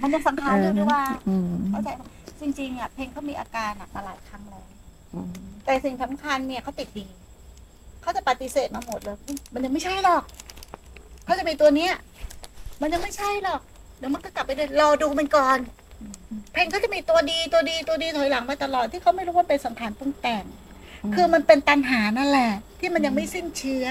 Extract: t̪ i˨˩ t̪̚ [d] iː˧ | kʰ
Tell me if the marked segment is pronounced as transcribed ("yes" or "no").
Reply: yes